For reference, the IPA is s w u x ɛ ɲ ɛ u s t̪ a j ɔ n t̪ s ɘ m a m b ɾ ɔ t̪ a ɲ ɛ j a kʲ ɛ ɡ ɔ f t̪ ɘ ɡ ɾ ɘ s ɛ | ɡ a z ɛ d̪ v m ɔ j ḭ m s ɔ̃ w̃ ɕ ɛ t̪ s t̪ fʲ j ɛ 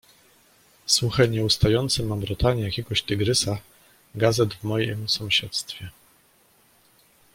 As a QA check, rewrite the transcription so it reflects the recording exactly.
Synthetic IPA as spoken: s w u x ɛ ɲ ɛ u s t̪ a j ɔ n t̪ s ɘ m a m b ɾ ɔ t̪ a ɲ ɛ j a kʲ ɛ ɡ ɔ ɕ t̪ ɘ ɡ ɾ ɘ s a | ɡ a z ɛ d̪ v m ɔ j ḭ m s ɔ̃ w̃ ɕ ɛ t̪ s t̪ fʲ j ɛ